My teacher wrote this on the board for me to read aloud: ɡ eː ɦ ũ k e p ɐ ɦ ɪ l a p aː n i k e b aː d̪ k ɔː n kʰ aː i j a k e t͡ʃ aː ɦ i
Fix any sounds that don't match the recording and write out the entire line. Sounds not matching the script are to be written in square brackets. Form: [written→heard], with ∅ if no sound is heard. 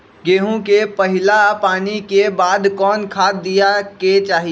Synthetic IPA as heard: ɡ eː ɦ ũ k e p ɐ ɦ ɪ l a p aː n i k e b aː d̪ k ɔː n kʰ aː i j a k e t͡ʃ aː ɦ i